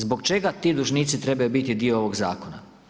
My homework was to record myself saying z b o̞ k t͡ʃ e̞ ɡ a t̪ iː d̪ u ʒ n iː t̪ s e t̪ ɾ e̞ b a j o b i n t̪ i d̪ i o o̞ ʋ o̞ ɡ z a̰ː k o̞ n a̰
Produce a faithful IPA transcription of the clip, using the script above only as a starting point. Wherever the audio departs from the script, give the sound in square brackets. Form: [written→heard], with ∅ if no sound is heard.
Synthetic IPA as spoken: z b o̞ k t͡ʃ e̞ ɡ a t̪ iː d̪ u ʒ n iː t̪ s [e→i] t̪ ɾ e̞ b a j [o→u] b i [n→∅] t̪ i d̪ i o o̞ ʋ o̞ ɡ z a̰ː k o̞ n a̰